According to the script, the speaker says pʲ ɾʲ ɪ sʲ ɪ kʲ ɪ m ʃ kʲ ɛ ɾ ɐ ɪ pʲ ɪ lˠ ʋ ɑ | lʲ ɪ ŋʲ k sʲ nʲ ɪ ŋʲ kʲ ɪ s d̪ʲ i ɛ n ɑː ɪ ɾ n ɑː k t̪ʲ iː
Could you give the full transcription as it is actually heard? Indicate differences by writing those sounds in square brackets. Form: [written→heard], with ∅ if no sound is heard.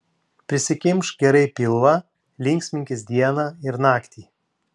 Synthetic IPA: pʲ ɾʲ ɪ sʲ ɪ kʲ ɪ m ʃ [kʲ→ɡʲ] ɛ ɾ ɐ ɪ pʲ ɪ lˠ ʋ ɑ | lʲ ɪ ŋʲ k sʲ [nʲ→mʲ] ɪ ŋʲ kʲ ɪ s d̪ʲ i ɛ n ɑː ɪ ɾ n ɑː k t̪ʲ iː